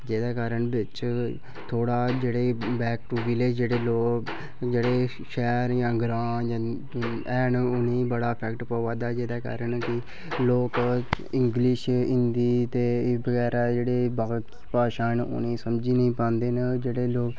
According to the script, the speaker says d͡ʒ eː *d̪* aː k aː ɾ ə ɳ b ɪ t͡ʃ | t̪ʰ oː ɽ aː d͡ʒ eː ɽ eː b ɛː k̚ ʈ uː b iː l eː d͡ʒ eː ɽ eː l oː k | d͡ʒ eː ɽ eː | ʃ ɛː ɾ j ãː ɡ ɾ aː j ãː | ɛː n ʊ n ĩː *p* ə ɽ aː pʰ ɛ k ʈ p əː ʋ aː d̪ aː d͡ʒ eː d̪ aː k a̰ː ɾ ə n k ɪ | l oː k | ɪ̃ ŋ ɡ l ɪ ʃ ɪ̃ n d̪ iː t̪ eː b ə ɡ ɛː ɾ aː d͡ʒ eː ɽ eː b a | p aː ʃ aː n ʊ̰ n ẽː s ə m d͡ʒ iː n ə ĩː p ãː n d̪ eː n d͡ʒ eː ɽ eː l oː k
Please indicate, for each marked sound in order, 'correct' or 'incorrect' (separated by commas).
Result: correct, incorrect